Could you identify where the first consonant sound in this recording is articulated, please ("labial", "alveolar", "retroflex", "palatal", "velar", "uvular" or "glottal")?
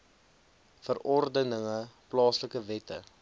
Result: labial